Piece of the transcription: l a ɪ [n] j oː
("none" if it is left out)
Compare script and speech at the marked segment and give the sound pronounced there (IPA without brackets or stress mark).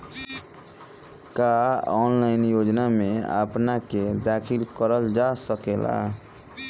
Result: n